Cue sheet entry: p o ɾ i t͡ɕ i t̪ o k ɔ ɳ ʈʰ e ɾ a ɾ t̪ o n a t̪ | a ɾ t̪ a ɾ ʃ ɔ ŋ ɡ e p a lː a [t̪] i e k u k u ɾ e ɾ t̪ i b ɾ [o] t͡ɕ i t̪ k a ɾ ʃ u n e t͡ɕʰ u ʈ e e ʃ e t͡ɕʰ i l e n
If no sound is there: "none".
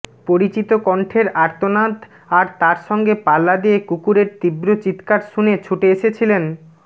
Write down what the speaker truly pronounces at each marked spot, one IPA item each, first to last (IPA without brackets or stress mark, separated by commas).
d̪, o